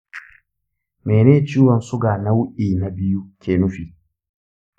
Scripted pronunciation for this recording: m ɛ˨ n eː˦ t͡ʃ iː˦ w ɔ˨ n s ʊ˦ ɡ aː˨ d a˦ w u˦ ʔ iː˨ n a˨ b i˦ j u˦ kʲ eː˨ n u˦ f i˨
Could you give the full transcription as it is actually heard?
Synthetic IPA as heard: m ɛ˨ n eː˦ t͡ʃ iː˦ w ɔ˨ n s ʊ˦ ɡ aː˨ n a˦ w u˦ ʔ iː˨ n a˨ b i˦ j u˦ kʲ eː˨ n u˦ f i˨